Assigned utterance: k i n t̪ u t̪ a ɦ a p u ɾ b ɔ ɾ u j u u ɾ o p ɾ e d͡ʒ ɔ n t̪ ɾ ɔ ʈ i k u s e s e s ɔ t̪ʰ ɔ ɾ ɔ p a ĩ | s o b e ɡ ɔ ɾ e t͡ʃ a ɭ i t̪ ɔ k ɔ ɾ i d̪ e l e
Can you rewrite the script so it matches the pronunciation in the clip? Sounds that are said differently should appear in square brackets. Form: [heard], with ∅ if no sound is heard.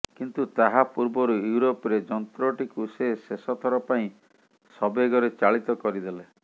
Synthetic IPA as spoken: k i n t̪ u t̪ a ɦ a p u ɾ b ɔ ɾ u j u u ɾ o p ɾ e d͡ʒ ɔ n t̪ ɾ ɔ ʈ i k u s e s e s ɔ t̪ʰ ɔ ɾ ɔ p a ĩ | s [ɔ] b e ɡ ɔ ɾ e t͡ʃ a ɭ i t̪ ɔ k ɔ ɾ i d̪ e l e